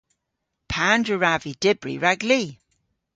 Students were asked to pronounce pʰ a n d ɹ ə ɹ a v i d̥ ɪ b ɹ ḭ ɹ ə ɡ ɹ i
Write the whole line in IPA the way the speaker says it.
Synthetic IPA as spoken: pʰ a n d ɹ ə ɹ a v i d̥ ɪ b ɹ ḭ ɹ a ɡ l i